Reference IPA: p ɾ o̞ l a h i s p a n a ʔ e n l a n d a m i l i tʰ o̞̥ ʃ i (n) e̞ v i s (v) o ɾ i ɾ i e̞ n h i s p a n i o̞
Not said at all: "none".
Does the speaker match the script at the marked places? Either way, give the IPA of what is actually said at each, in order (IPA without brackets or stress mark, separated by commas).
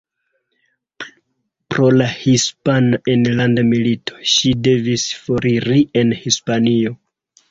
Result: d, f